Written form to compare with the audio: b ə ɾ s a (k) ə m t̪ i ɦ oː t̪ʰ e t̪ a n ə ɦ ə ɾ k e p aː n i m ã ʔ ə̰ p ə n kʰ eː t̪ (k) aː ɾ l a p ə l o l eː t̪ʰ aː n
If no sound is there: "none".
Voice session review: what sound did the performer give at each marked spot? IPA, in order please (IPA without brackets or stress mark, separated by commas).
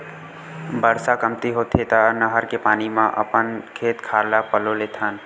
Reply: k, kʰ